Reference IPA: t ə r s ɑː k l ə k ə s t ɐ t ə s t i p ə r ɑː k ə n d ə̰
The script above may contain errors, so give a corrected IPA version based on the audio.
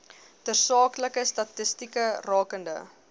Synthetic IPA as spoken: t ə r s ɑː k l ə k ə s t ɐ t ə s t i k ə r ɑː k ə n d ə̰